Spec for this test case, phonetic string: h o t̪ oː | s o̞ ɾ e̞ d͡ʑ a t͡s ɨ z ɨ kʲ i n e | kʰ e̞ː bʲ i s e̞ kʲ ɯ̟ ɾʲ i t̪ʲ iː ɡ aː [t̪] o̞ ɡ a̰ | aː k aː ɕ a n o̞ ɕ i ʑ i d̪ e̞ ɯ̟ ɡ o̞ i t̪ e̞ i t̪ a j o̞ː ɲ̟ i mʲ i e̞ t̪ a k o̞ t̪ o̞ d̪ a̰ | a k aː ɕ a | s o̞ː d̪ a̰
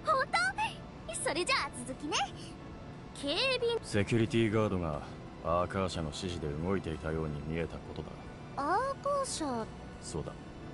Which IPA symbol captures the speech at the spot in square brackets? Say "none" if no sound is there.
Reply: d̪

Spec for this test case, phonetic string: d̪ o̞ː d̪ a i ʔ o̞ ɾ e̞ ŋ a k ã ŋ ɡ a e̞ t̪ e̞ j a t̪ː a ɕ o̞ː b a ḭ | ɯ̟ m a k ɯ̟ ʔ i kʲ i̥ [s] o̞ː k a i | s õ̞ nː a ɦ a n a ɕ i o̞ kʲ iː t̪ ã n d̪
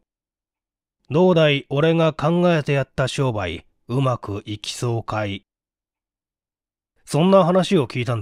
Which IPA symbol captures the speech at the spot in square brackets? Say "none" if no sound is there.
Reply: s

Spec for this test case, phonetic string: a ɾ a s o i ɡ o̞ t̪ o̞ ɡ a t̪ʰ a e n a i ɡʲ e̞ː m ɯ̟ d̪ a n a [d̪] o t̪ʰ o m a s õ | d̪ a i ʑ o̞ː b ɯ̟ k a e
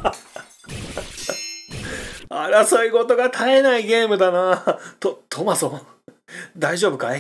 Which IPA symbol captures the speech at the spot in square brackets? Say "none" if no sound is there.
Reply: t̪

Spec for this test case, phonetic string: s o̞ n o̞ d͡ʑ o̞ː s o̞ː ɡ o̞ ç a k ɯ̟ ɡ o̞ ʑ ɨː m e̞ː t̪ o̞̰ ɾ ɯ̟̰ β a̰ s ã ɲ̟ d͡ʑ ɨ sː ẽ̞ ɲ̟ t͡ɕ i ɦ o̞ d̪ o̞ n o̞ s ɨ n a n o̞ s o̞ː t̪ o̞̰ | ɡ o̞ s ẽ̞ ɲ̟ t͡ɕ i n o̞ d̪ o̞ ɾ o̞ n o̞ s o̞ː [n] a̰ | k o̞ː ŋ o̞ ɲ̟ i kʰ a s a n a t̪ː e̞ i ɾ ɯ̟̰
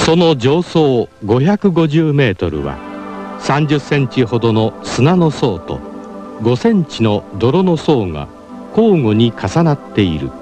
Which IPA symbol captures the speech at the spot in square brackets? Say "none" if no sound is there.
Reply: ŋ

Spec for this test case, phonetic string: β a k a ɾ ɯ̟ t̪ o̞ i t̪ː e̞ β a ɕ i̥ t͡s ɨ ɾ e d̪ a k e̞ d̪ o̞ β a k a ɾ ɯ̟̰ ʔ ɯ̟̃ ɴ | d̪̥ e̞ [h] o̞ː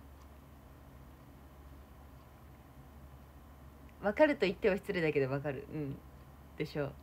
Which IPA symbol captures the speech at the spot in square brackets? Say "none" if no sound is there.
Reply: ɕ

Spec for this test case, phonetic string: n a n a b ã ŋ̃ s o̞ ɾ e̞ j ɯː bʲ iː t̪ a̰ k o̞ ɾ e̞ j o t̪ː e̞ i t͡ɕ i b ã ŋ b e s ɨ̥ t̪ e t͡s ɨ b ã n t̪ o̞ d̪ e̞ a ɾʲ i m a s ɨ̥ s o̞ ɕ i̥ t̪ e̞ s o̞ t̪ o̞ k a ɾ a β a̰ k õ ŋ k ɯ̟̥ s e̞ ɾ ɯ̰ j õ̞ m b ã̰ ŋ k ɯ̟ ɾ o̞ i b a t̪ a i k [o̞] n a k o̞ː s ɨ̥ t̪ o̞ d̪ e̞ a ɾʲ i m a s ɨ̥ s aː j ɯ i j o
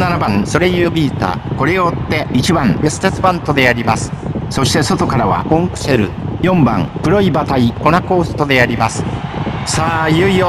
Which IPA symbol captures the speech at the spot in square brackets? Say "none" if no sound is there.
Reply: o̞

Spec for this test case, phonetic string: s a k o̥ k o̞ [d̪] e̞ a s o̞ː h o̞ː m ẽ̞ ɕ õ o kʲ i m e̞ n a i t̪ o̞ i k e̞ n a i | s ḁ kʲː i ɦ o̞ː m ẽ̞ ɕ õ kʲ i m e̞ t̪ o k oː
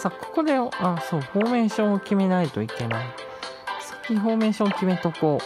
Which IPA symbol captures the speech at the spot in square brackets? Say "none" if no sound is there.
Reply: d̪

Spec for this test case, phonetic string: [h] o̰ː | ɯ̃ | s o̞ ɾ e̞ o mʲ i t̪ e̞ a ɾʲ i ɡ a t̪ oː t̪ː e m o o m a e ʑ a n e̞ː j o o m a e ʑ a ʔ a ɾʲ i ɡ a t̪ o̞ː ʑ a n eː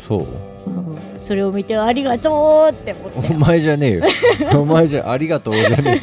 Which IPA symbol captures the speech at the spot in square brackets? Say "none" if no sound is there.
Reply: s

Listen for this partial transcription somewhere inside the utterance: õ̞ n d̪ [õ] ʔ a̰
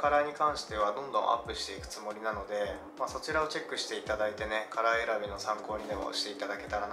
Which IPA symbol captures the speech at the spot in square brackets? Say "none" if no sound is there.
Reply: õ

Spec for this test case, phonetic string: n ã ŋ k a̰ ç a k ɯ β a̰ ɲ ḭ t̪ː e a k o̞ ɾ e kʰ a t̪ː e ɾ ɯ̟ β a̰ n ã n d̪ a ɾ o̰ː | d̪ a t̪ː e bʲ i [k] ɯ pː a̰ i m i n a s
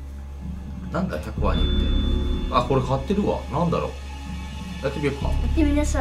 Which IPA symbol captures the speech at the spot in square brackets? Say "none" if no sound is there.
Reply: none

